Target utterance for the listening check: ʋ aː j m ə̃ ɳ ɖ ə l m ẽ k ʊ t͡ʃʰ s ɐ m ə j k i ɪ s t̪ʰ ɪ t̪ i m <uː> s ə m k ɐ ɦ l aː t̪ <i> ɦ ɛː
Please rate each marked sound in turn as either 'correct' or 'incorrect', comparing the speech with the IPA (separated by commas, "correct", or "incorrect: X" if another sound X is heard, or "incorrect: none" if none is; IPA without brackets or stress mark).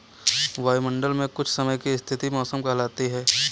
incorrect: ɔː, correct